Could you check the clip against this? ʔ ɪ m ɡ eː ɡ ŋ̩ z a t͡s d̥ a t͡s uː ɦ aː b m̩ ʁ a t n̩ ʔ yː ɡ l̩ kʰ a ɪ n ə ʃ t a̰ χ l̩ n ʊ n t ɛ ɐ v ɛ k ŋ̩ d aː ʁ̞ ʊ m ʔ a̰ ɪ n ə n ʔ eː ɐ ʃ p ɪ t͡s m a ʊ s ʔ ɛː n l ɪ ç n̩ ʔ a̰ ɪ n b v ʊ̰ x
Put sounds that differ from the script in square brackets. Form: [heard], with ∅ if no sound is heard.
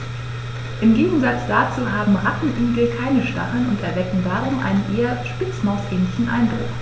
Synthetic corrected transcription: ʔ ɪ m ɡ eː ɡ ŋ̩ z a t͡s d̥ a t͡s uː ɦ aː b m̩ ʁ a t n̩ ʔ yː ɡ l̩ kʰ a ɪ n ə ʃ t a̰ χ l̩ n ʊ n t ɛ ɐ v ɛ k ŋ̩ d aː ʁ̞ ʊ m ʔ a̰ ɪ n ə n ʔ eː ɐ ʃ p ɪ t͡s m a ʊ s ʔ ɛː n l ɪ ç n̩ ʔ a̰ ɪ n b [ʁ] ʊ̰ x